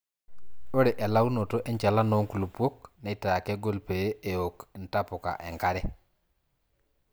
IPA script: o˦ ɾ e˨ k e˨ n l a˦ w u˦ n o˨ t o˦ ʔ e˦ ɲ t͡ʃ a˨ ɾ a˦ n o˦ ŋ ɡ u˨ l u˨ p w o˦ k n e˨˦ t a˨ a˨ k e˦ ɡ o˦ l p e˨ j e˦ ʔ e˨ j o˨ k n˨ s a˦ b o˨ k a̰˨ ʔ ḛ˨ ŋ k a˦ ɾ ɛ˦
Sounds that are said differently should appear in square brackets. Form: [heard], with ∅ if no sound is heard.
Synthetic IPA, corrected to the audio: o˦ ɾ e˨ [ʔ] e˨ [∅] l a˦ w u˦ n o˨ t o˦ ʔ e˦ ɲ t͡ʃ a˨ [l] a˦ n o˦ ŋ [k] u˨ l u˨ p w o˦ k n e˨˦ t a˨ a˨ k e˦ ɡ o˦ l p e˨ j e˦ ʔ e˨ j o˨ k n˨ [t] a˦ [p] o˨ k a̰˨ ʔ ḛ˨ ŋ k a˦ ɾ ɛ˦